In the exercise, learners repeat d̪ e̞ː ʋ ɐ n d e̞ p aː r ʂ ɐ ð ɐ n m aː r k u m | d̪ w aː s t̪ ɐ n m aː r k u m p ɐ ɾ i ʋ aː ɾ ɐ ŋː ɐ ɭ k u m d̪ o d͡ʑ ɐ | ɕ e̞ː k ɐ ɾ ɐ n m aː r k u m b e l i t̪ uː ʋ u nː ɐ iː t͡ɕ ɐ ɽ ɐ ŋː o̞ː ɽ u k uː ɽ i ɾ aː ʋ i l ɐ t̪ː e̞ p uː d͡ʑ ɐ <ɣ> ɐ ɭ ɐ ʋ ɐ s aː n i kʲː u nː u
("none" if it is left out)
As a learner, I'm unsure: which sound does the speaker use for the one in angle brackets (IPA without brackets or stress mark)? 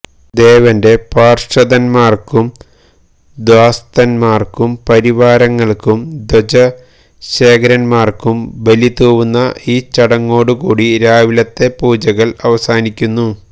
ɣ